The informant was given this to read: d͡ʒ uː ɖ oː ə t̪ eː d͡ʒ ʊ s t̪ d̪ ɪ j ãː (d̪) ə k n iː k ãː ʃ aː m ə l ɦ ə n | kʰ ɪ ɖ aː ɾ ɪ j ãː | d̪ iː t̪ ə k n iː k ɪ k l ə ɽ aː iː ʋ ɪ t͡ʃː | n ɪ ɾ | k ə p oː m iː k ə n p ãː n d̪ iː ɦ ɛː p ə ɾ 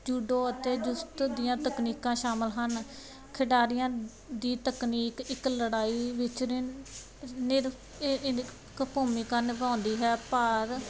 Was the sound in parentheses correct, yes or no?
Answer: no